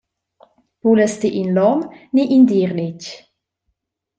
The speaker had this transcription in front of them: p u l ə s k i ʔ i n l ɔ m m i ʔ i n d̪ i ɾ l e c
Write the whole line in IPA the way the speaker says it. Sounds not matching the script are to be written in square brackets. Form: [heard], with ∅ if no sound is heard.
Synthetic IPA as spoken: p u l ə s [t] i ʔ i n l ɔ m [n] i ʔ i n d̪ i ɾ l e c